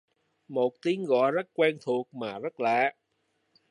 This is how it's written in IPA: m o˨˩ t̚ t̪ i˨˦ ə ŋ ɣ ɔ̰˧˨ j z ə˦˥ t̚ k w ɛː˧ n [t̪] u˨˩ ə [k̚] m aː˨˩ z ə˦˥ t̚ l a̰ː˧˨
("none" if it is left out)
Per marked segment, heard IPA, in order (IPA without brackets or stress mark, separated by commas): t̪ʰ, k̚